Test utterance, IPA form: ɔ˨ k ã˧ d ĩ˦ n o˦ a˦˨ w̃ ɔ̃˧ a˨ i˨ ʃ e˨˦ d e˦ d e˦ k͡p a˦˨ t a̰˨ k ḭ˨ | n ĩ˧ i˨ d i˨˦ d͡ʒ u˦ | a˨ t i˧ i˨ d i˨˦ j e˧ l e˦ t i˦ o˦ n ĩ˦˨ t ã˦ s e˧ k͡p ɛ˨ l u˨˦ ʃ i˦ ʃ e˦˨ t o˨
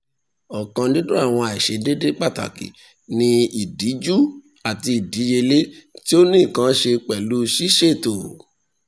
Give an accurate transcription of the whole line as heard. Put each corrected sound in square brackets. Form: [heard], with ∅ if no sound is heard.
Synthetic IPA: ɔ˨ k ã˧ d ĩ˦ [d] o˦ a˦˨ w̃ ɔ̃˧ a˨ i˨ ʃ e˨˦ d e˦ d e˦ k͡p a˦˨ t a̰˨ k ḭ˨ | n ĩ˧ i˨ d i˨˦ d͡ʒ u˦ | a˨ t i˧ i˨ d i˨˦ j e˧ l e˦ t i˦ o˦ n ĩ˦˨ [k] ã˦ [ʃ] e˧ k͡p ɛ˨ l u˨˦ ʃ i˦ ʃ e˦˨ t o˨